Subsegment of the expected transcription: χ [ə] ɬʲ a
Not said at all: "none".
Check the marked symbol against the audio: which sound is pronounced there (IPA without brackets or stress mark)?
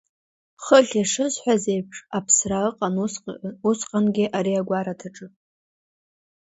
ə